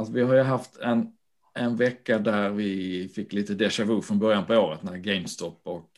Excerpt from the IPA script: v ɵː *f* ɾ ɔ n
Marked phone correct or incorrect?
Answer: correct